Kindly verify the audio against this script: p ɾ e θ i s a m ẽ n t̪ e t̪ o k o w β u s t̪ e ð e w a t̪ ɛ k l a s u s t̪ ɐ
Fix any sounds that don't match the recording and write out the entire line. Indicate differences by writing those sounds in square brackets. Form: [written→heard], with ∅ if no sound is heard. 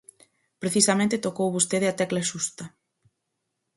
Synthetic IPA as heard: p ɾ e θ i s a m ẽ n t̪ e t̪ o k o w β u s t̪ e ð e [w→∅] a t̪ ɛ k l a [s→ʃ] u s t̪ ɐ